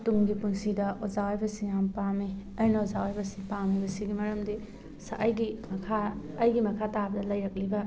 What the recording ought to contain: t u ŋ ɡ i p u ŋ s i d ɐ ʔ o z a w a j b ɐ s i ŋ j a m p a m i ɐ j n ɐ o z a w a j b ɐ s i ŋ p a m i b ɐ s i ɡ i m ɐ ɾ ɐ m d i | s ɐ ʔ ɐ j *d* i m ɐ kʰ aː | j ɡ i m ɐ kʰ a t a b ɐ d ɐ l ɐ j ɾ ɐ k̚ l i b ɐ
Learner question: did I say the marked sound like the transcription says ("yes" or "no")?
no